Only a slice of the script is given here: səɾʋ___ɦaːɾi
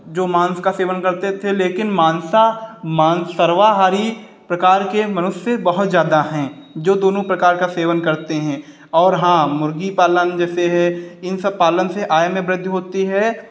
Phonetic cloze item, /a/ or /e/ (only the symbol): a